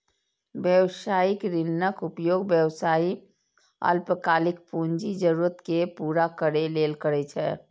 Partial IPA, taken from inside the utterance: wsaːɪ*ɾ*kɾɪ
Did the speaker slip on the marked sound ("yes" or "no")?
yes